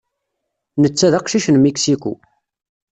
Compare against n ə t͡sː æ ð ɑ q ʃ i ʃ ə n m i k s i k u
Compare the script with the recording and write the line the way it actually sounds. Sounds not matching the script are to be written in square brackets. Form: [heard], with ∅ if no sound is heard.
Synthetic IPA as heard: n ə t͡sː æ ð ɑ q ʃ i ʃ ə n m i k s i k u

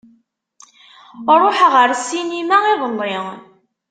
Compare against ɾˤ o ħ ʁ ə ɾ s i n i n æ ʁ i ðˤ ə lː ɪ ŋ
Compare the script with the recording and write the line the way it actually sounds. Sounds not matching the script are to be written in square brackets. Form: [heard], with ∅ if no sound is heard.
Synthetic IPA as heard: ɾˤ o ħ ʁ ə ɾ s i n i [m] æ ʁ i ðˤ ə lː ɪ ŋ

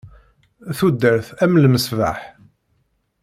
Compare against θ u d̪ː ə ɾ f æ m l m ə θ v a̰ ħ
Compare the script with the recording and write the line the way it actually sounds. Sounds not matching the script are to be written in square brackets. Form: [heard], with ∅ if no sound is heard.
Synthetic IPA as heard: θ u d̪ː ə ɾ [θ] æ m l m ə [s] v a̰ ħ

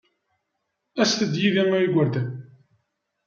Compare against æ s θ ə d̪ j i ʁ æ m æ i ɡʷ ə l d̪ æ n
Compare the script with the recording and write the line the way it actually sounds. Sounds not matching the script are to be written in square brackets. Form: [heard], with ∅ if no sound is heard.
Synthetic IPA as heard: æ s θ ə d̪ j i [ð] æ m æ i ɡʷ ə [ɾ] d̪ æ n

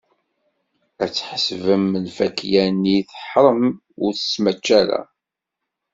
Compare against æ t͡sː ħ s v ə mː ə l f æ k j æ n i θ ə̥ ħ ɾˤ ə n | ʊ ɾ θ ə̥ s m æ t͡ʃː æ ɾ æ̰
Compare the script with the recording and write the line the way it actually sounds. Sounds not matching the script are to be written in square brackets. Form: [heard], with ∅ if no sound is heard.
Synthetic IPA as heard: æ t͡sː ħ s v ə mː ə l f æ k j æ n i θ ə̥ ħ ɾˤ ə [m] | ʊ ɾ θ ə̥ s m æ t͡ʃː æ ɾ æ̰

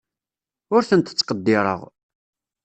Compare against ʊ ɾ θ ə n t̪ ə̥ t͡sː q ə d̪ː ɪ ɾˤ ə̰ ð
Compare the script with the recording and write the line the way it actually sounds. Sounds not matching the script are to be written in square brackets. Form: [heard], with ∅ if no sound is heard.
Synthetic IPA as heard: ʊ ɾ θ ə n t̪ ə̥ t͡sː q ə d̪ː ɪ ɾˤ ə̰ [ʁ]

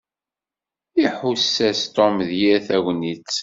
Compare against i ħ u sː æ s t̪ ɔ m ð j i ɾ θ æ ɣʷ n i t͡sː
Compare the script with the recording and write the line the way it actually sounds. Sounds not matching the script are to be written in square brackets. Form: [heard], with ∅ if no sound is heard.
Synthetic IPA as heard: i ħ u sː æ s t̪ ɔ m ð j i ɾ θ æ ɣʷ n i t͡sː

